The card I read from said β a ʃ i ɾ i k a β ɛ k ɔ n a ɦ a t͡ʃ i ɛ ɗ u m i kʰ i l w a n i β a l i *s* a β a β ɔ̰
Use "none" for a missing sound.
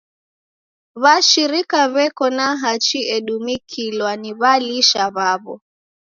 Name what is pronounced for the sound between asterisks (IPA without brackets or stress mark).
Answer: ʃ